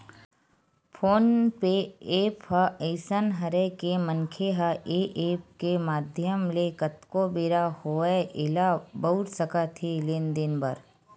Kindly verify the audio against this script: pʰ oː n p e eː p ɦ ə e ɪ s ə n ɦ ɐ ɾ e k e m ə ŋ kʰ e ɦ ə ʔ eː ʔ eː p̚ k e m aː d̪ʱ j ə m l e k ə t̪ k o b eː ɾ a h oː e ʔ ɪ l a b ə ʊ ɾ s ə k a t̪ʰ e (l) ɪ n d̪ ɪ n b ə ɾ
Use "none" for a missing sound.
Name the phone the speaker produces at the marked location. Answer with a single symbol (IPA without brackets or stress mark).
l